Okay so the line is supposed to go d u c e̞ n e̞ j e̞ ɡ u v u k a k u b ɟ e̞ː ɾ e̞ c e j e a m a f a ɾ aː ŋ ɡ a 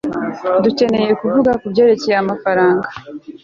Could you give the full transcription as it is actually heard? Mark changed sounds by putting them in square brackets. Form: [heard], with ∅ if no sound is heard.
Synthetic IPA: d u c e̞ n e̞ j e̞ [k] u v u [ɡ] a k u b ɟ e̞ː ɾ e̞ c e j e a m a f a ɾ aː ŋ ɡ a

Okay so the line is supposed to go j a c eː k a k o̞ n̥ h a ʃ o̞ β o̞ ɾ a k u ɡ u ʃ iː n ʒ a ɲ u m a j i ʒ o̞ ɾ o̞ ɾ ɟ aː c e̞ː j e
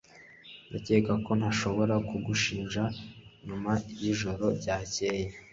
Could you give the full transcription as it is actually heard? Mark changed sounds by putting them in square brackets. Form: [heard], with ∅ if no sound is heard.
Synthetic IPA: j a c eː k a k o̞ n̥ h a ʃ o̞ β o̞ ɾ a k u ɡ u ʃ iː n ʒ a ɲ u m a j i ʒ o̞ ɾ o̞ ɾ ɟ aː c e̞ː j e

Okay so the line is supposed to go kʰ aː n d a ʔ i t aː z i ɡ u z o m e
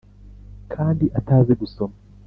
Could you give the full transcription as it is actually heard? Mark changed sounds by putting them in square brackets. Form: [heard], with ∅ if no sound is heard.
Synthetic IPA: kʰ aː n d [i] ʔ [a] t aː z [e] ɡ u [s] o m [a]

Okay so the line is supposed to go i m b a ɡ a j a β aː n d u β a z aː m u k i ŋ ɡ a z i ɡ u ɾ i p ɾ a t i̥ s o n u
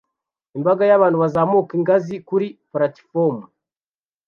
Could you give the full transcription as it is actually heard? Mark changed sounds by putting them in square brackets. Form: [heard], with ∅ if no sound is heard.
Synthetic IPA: i m b a ɡ a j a β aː n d u β a z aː m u k i ŋ ɡ a z i [k] u ɾ i p ɾ a t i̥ [f] o [m] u

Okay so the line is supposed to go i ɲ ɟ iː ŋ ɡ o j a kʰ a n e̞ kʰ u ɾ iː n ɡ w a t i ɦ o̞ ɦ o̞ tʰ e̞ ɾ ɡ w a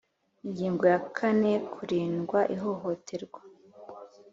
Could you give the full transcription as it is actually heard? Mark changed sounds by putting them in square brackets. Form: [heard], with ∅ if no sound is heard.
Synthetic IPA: i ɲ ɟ iː ŋ ɡ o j a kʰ a n e̞ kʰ u ɾ iː n ɡ w a [ʔ] i ɦ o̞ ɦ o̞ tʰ e̞ ɾ ɡ w a

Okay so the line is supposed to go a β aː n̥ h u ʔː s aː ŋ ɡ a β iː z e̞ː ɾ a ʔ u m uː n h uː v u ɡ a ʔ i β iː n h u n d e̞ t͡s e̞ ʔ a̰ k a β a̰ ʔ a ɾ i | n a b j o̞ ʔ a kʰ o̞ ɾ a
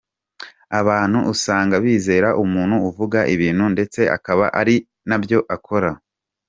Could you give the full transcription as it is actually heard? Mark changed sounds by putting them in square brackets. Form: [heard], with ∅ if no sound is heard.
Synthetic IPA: a β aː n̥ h u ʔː s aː ŋ ɡ a β iː z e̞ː ɾ a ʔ u m uː n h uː v u ɡ a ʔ i β iː n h u n d e̞ t͡s e̞ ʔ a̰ k a β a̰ ʔ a ɾ i | n a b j o̞ ʔ a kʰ o̞ ɾ a

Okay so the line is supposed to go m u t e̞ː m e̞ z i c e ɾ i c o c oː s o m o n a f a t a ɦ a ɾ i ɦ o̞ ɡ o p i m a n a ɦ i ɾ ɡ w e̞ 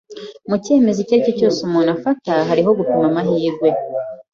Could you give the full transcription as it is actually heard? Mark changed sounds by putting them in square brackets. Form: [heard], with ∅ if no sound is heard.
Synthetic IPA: m u [c] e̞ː m e̞ z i c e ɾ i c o c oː s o m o n a f a t a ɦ a ɾ i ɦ o̞ ɡ [u] p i m a [m] a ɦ [iː] ɾ ɡ w e̞

